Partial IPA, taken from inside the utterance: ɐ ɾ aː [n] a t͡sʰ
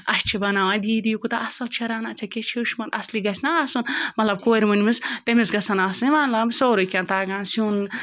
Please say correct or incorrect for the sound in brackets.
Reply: correct